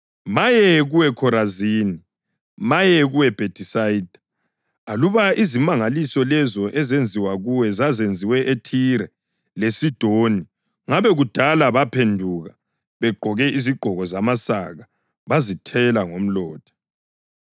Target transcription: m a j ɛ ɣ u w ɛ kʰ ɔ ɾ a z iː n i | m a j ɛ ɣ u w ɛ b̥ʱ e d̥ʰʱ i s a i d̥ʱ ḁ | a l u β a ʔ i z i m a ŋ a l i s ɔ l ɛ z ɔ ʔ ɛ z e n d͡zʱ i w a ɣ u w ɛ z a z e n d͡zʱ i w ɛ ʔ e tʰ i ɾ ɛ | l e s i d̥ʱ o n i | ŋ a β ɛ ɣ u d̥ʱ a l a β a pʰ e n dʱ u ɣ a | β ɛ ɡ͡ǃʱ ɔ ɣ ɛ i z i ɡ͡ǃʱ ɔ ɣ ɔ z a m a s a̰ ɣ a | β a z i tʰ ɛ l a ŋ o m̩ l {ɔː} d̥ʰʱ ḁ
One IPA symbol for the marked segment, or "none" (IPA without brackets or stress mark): ɔː